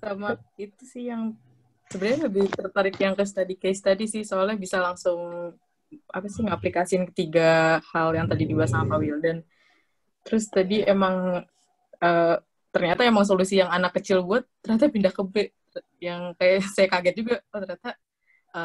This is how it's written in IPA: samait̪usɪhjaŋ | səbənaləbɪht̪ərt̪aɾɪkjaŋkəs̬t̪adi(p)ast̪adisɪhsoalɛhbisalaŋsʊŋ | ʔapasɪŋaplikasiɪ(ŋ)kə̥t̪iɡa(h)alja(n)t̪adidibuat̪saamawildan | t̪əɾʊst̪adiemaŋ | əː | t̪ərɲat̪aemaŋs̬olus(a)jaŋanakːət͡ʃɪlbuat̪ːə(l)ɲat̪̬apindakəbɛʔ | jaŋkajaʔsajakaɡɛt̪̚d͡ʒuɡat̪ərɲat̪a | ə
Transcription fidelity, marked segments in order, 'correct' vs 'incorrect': incorrect: k, incorrect: n, correct, incorrect: ŋ, incorrect: i, incorrect: r

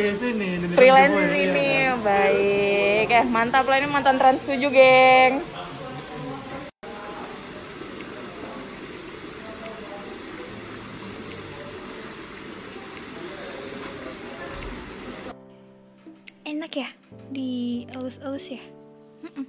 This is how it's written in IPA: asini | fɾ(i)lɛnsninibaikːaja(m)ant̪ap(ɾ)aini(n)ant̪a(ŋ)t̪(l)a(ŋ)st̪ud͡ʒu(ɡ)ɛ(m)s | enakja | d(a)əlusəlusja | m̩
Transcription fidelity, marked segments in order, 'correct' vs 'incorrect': correct, correct, incorrect: l, incorrect: m, incorrect: n, incorrect: ɾ, incorrect: n, correct, incorrect: ŋ, incorrect: i

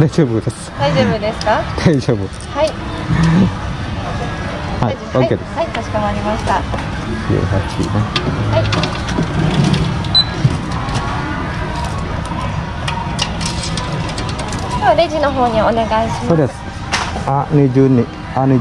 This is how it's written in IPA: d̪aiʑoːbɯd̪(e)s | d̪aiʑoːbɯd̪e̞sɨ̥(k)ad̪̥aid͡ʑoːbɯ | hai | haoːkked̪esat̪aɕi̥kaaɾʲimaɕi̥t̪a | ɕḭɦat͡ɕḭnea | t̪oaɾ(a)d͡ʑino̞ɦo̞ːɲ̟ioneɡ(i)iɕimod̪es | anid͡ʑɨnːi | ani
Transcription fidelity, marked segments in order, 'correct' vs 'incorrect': correct, correct, incorrect: e, incorrect: a

